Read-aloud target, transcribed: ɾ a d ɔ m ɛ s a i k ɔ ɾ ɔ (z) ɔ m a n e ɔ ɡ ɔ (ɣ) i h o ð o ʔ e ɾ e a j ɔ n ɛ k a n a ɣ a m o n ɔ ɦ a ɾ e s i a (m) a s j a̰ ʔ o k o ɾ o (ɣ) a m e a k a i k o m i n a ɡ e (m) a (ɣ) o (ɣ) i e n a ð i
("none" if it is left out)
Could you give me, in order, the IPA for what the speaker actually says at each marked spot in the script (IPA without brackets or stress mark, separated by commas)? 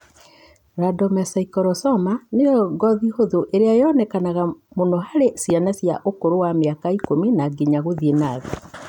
s, ð, n, w, ɲ, ɣ, ð